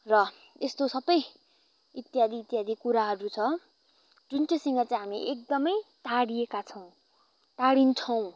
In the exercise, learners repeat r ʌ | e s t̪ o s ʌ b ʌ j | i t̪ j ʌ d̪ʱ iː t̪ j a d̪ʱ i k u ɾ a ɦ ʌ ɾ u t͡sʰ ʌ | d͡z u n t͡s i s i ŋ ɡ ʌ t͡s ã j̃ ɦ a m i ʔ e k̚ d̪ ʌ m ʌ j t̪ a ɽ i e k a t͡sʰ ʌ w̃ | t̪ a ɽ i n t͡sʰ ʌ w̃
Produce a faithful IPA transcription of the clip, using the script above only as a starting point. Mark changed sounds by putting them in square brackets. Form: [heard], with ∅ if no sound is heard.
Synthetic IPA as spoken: r ʌ | e s t̪ o s ʌ b ʌ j | i t̪ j [a] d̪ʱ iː t̪ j a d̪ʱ i k u ɾ a ɦ ʌ ɾ u t͡sʰ ʌ | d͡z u n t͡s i s i ŋ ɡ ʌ t͡s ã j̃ ɦ a m i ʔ e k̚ d̪ ʌ m ʌ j t̪ a ɽ i e k a t͡sʰ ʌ w̃ | t̪ a ɽ i n t͡sʰ ʌ w̃